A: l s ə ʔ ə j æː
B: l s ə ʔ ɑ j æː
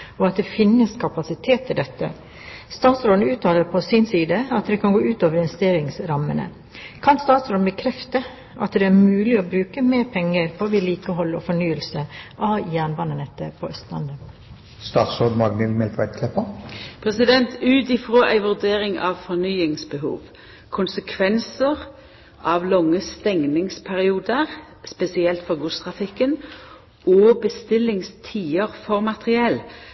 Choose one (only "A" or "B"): B